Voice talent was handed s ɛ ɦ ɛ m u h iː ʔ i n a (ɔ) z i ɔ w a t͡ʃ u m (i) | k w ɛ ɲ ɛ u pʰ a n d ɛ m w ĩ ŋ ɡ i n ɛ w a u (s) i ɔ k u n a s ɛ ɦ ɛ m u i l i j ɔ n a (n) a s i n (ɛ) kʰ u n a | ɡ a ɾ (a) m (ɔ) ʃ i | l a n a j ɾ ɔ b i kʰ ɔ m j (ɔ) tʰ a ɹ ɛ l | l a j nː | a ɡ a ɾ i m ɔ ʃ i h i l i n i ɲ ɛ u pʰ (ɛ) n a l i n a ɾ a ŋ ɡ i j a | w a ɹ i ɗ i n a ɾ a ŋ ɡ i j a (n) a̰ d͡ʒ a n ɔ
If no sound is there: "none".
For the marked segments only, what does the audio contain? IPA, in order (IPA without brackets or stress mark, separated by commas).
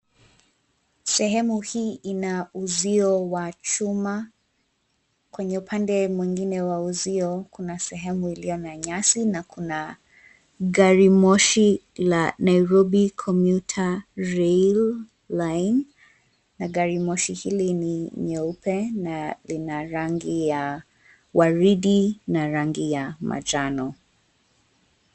u, a, z, ɲ, a, i, ɔ, u, ɛ, m